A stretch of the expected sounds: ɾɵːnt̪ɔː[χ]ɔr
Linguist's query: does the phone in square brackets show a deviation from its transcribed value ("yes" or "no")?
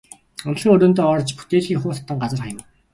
yes